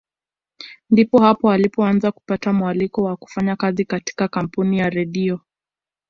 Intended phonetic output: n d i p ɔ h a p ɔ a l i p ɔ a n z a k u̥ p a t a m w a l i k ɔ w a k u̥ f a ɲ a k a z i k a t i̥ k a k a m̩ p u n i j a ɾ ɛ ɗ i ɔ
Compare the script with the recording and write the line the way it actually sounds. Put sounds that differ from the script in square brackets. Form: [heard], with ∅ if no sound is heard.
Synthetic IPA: n d i p ɔ h a p ɔ a l i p ɔ a n z a k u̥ p a t a m w a l i k ɔ w a k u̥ f a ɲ a k a z i k a t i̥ k a k a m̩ p u n i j a ɾ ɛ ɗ i ɔ